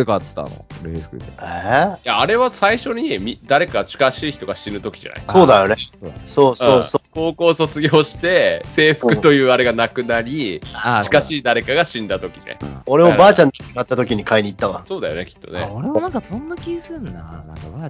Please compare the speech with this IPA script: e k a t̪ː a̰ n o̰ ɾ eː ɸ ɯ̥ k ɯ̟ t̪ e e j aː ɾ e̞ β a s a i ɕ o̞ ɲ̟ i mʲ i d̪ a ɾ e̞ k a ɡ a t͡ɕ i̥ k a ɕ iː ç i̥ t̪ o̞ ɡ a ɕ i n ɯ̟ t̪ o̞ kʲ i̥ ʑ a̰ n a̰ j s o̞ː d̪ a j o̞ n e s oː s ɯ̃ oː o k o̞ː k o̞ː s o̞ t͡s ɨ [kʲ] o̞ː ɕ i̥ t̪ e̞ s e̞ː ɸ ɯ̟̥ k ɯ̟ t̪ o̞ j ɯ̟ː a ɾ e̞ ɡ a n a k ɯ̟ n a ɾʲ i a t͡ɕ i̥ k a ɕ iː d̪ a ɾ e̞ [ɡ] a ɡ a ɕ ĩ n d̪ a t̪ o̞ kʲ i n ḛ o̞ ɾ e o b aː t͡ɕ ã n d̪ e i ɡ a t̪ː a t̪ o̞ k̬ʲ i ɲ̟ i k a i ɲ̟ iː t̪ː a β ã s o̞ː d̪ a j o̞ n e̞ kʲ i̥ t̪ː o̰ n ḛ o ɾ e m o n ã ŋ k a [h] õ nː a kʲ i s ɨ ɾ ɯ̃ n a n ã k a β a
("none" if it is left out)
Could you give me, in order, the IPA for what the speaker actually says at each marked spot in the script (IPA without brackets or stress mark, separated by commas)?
ɡʲ, k, s